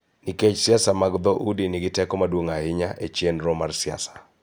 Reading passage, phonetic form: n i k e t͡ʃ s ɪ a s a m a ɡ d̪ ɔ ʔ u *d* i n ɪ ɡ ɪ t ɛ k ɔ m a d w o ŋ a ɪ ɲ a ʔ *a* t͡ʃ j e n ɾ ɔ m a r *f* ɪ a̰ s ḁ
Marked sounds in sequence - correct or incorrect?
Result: correct, incorrect, incorrect

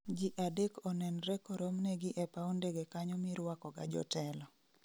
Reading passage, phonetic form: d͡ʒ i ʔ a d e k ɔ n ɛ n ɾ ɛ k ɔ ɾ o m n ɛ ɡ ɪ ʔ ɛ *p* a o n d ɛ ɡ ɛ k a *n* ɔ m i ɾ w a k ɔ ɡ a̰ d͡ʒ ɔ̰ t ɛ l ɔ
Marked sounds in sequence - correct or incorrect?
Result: correct, incorrect

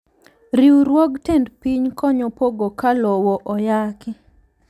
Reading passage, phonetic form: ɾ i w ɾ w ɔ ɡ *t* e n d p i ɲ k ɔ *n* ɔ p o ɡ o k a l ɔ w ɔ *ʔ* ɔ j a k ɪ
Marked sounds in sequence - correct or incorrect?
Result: correct, incorrect, correct

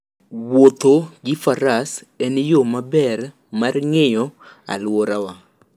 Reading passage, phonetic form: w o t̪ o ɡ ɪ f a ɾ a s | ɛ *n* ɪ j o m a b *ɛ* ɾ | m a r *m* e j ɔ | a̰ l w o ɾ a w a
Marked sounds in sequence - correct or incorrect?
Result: correct, correct, incorrect

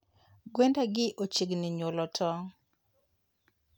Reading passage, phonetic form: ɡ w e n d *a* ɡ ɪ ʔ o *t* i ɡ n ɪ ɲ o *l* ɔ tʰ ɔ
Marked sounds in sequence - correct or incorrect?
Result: correct, incorrect, correct

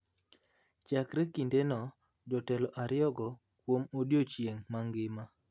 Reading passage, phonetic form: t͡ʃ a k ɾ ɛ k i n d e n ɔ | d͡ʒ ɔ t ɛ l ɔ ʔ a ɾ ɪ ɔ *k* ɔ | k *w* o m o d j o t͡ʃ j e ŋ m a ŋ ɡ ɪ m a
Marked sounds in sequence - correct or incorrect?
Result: incorrect, correct

